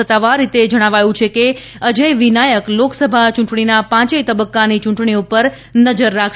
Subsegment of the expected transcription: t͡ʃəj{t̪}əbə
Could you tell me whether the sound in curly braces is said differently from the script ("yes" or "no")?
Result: no